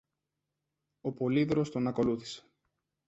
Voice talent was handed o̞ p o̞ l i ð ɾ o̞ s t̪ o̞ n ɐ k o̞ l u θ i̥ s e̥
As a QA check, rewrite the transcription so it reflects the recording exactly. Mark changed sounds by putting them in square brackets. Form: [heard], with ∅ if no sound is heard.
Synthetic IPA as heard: o̞ p o̞ l i ð ɾ o̞ s t̪ o̞ n ɐ k o̞ l u θ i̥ s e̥